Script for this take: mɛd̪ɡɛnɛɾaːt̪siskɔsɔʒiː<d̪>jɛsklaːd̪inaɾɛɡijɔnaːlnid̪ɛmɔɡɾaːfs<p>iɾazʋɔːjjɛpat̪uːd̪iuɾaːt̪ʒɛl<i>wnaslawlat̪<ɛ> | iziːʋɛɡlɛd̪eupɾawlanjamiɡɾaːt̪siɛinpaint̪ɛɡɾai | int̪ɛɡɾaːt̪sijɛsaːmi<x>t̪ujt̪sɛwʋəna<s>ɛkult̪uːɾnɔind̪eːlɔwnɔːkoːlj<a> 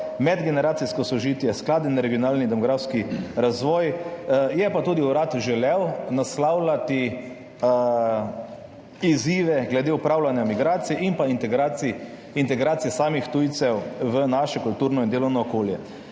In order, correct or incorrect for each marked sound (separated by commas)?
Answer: incorrect, incorrect, incorrect, incorrect, correct, incorrect, incorrect